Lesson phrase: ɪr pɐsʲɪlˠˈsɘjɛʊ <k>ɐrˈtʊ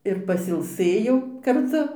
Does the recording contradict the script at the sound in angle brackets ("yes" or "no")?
no